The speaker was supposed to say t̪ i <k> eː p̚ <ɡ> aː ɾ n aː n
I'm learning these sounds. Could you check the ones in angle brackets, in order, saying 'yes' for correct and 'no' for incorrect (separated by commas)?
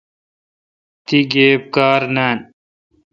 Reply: no, no